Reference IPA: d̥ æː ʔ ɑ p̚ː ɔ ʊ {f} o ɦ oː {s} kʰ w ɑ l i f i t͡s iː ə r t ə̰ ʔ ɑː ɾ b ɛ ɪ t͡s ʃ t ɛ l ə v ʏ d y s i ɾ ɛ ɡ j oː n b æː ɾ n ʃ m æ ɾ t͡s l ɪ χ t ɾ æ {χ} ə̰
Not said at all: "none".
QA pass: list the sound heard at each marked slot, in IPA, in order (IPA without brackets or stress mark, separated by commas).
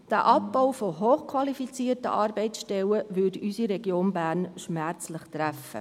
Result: f, χ, f